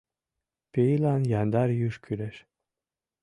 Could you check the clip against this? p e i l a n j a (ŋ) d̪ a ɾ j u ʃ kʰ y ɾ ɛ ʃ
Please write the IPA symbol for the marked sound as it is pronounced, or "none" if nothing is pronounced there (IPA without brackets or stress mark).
n